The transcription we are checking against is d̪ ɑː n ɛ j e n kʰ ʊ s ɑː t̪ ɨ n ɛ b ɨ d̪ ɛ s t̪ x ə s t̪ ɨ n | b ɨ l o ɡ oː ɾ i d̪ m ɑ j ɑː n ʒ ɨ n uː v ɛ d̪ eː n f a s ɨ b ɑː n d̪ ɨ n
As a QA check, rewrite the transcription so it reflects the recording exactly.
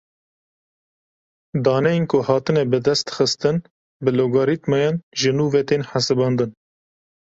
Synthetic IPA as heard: d̪ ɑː n ɛ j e n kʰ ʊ h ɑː t̪ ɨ n ɛ b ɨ d̪ ɛ s t̪ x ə s t̪ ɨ n | b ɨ l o ɡ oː ɾ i t̪ m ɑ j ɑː n ʒ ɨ n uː v ɛ t̪ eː n ħ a s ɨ b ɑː n d̪ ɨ n